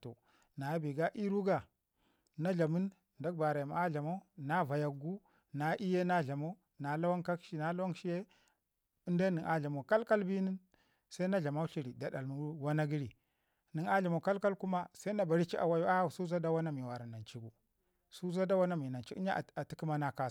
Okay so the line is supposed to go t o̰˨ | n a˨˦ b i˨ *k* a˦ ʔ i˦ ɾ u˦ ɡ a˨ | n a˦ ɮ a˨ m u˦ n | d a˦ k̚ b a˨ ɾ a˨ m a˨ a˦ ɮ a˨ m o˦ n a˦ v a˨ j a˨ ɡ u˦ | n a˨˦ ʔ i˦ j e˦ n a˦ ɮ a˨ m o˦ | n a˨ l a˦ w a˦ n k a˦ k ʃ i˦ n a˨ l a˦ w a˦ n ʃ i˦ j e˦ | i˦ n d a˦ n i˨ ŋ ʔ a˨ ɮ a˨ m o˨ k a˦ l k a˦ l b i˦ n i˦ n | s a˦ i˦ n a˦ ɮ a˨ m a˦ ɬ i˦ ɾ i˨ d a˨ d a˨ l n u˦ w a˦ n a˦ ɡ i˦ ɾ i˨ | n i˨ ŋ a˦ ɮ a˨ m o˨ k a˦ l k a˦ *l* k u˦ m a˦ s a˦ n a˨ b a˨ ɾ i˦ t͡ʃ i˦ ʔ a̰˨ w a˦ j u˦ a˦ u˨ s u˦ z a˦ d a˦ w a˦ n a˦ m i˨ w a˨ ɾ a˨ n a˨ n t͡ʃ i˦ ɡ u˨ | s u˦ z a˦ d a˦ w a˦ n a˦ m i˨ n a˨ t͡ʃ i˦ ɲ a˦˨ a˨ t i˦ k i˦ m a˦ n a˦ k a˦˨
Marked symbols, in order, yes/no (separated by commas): no, yes